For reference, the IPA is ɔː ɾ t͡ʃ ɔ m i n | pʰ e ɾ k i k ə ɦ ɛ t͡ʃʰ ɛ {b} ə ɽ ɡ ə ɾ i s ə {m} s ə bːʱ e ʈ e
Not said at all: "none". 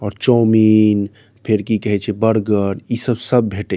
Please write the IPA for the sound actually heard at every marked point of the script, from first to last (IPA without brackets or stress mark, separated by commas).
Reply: b, b